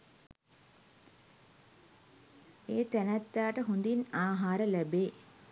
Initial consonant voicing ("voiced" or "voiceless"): voiceless